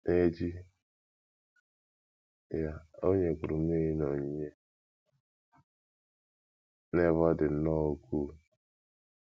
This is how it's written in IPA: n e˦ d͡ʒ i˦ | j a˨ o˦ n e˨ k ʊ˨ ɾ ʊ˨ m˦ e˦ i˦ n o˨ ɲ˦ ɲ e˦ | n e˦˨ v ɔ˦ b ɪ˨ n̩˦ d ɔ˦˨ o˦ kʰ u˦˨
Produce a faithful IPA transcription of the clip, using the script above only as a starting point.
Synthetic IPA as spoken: n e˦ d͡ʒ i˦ | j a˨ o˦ ɲ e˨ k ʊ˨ ɾ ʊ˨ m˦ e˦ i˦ n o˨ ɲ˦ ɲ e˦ | n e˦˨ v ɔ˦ d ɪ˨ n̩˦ n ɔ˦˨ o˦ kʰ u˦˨